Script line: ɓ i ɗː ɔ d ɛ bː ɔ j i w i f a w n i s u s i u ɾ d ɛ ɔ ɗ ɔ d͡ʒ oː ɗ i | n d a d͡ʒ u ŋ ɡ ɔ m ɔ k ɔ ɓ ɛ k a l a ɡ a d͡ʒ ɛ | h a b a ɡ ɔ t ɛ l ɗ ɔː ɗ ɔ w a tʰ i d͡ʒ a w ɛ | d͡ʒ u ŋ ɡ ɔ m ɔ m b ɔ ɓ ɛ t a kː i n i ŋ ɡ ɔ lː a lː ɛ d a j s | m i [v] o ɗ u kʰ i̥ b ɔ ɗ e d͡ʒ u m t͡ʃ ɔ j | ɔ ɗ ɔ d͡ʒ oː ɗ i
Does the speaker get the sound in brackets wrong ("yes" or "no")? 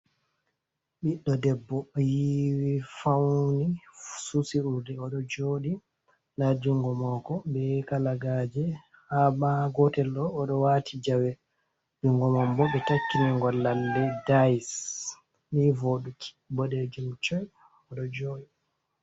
no